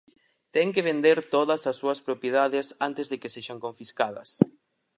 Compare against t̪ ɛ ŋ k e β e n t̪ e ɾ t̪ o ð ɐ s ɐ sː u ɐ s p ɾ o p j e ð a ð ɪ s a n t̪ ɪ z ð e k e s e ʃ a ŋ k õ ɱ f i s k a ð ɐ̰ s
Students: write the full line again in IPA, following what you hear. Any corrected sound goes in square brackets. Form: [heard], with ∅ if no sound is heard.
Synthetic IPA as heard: t̪ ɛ ŋ k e β e n [d̪] e ɾ t̪ o ð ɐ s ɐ sː u ɐ s p ɾ o p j e ð a ð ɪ s a n t̪ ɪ z ð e k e s e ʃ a ŋ k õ ɱ f i s k a ð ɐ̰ s